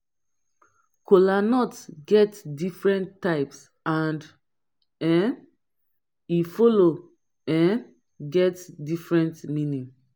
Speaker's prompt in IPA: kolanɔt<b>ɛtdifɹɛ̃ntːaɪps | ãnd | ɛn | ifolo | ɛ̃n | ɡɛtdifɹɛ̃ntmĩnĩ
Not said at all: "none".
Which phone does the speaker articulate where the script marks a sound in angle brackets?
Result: ɡ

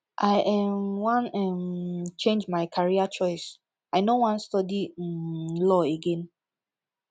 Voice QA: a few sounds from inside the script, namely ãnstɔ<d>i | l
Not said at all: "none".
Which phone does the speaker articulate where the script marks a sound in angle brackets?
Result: d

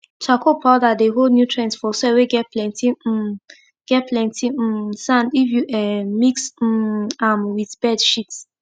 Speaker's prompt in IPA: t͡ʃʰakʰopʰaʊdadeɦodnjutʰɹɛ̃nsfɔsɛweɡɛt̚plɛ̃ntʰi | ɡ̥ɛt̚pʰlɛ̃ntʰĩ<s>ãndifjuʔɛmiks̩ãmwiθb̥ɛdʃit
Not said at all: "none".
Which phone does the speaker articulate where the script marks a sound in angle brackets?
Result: s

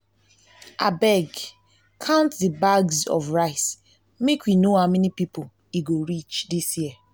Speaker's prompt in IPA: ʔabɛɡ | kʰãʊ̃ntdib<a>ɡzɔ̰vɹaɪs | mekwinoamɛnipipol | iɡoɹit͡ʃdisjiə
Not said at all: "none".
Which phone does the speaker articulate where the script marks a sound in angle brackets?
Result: a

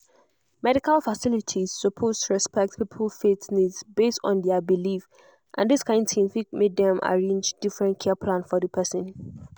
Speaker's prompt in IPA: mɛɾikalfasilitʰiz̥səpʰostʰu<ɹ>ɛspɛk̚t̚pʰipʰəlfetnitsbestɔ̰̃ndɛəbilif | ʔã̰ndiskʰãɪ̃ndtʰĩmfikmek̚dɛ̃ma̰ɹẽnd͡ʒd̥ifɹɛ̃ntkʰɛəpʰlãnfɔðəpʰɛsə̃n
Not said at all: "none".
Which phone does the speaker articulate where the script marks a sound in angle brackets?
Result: ɹ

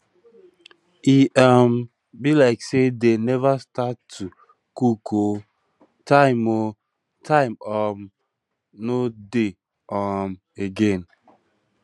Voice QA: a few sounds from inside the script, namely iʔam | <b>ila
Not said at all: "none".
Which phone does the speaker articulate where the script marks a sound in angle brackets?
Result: b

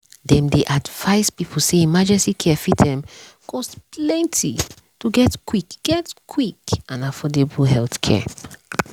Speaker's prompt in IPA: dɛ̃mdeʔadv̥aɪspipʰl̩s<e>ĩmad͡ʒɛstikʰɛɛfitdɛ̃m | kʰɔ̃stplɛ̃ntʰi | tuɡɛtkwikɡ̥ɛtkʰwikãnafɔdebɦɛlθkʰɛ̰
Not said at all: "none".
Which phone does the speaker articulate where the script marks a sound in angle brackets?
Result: e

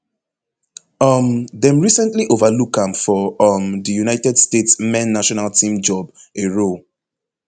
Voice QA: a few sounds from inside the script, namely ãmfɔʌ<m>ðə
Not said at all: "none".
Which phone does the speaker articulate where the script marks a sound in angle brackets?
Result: m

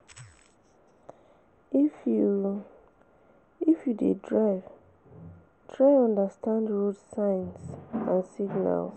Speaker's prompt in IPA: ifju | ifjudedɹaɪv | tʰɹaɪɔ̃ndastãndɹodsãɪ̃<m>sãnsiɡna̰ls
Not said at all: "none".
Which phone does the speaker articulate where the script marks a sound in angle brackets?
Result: n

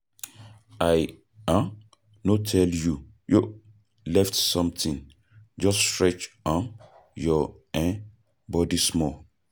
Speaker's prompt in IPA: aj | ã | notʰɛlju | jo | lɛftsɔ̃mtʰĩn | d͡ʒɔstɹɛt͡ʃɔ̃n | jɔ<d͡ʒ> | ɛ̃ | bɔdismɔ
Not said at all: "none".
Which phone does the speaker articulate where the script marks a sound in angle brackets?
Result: none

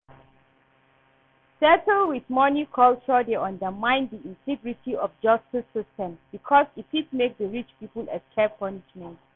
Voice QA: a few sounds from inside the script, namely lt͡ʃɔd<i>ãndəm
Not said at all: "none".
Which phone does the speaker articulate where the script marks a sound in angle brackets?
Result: e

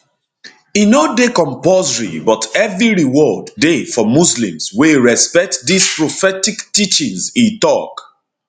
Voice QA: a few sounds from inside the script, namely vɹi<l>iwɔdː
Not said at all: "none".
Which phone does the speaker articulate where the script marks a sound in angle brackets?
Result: ɹ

